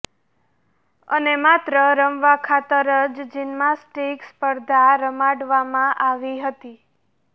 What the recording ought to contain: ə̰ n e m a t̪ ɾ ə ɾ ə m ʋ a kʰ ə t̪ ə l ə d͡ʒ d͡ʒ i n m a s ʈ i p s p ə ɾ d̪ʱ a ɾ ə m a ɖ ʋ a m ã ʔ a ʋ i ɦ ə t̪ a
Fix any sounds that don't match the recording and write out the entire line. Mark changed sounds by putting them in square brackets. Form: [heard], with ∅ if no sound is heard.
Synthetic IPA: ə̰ n e m a t̪ ɾ ə ɾ ə m ʋ a kʰ [a] t̪ ə [ɾ] ə d͡ʒ d͡ʒ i n m a s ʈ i [k] s p ə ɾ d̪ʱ a ɾ ə m a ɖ ʋ a m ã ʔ a ʋ i ɦ ə t̪ [i]